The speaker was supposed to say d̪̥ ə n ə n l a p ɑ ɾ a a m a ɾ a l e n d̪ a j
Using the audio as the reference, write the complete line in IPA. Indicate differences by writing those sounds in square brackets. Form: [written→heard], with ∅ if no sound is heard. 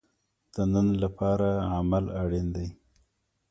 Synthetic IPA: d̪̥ ə n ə n l a p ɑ ɾ a a m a [ɾ→l] a [l→ɽ] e n d̪ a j